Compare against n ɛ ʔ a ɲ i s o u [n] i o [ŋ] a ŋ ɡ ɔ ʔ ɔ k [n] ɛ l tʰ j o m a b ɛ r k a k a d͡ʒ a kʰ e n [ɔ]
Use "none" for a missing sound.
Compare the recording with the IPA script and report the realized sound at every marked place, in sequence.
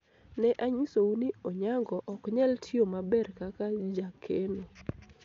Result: n, ɲ, ɲ, o

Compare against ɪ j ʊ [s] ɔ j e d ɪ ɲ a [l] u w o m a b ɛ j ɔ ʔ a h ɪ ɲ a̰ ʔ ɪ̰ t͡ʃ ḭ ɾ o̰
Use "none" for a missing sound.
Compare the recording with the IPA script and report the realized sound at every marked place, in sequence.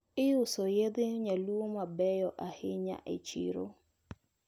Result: s, l

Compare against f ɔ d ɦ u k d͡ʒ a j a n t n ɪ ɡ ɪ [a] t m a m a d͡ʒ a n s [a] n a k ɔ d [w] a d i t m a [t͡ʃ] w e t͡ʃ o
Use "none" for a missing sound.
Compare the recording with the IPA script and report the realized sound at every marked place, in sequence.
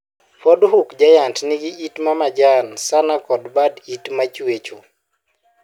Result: i, a, b, t͡ʃ

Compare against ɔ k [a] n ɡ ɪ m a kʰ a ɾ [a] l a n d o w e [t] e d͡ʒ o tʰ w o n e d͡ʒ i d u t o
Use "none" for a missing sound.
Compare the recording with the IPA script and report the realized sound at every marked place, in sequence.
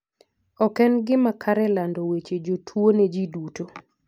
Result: ɛ, ɛ, t͡ʃ

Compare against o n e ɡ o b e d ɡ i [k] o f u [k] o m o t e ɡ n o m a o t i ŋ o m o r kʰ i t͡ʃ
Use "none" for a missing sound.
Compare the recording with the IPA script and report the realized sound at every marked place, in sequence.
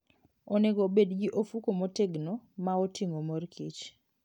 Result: ʔ, k

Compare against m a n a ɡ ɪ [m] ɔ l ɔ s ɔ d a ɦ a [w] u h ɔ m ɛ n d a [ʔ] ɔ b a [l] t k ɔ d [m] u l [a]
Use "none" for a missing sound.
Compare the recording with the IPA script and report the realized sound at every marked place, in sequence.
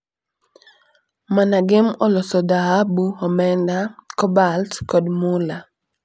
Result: m, b, k, l, m, a

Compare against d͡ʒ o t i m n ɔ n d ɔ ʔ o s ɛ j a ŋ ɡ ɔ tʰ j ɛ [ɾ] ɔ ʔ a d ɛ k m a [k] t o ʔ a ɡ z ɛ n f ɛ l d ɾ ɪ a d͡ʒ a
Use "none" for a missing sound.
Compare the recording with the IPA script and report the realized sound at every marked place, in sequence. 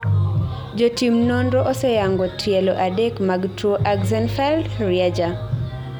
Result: l, ɡ

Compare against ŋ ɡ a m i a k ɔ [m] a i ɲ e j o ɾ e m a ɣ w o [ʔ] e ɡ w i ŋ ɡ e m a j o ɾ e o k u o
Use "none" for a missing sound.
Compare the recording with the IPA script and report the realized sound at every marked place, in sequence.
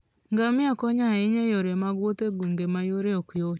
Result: ɲ, t

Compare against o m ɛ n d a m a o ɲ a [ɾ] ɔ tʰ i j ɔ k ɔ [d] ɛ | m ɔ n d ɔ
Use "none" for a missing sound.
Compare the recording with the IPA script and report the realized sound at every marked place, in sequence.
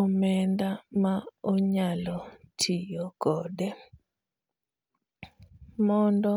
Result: l, d

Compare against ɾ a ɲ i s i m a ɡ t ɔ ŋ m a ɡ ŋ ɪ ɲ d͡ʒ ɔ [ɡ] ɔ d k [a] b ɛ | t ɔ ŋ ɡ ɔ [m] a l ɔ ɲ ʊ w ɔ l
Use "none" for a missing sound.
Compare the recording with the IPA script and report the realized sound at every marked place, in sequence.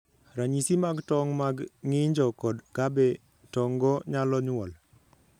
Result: k, a, ɲ

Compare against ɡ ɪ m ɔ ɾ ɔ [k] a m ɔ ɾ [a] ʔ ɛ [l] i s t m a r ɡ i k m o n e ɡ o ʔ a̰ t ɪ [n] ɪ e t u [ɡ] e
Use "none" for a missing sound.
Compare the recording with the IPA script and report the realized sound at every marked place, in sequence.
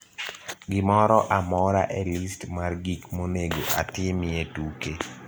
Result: ʔ, a, l, m, k

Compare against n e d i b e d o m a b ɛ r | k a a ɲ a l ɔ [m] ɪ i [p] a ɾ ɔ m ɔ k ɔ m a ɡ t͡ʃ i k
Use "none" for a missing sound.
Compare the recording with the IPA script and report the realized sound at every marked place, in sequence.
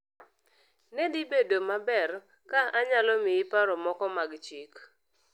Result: m, p

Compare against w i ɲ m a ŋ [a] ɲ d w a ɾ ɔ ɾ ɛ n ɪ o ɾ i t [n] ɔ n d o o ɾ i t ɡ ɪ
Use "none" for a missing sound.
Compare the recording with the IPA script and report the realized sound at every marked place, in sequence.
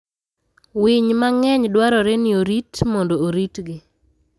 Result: ɛ, m

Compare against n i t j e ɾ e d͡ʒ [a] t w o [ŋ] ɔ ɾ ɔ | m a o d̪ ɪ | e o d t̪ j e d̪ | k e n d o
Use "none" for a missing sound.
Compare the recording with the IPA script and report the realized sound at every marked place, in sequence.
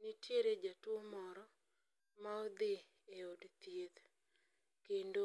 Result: a, m

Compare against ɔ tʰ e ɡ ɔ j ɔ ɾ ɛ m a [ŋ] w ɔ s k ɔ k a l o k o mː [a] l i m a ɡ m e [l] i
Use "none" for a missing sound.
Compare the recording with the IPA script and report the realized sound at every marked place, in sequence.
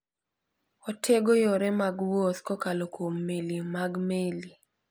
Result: ɡ, e, l

